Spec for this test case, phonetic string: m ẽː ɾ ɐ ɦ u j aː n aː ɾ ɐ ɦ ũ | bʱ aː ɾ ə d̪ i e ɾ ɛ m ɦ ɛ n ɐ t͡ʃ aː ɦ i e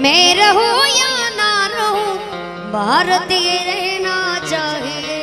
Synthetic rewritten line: m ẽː ɾ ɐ ɦ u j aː n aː ɾ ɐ ɦ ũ | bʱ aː ɾ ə t̪ i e ɾ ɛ ɦ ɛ n a t͡ʃ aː ɦ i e